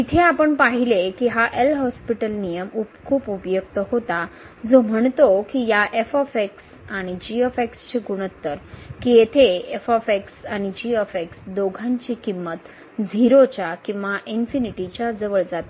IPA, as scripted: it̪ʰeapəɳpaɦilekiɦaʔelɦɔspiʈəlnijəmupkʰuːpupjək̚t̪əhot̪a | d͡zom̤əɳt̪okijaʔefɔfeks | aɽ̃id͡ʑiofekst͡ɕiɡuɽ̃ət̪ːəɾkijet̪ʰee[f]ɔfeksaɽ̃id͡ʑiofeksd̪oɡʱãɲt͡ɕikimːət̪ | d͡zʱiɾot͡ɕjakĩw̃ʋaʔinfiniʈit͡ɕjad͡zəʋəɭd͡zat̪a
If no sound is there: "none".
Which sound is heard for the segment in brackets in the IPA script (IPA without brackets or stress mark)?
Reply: f